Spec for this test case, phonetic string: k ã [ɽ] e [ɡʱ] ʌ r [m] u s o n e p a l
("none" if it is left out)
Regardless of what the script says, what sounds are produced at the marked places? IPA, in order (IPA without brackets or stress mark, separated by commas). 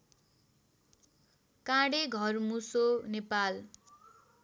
ɽ, ɡʱ, m